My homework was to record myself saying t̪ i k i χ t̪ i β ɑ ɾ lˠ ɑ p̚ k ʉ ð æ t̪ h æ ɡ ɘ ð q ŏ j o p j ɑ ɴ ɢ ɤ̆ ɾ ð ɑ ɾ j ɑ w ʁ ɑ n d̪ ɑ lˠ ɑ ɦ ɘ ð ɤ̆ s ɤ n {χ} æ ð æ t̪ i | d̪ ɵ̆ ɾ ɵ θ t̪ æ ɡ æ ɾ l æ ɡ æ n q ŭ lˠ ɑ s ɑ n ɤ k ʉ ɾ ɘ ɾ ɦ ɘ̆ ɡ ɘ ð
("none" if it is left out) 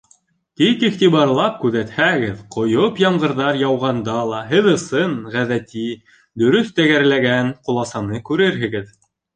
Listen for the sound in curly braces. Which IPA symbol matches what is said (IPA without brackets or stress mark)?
ʁ